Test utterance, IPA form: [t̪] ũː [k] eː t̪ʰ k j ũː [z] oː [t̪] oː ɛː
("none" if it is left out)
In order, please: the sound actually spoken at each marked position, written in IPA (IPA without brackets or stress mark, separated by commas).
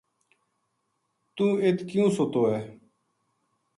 t̪, none, s, t̪